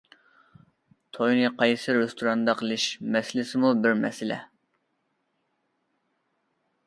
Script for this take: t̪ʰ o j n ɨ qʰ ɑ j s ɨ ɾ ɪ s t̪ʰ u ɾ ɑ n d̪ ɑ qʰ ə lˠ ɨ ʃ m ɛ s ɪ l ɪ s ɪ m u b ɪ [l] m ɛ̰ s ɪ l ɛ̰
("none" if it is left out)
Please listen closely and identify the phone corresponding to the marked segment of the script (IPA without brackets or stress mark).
ɾ